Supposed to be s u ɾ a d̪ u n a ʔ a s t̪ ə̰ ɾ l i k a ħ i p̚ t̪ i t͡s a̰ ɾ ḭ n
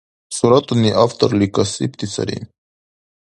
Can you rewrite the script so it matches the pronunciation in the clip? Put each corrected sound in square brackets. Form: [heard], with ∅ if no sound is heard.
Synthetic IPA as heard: s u ɾ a [t̪] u n [i] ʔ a [f] t̪ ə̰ ɾ l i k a [s] i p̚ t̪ i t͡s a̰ ɾ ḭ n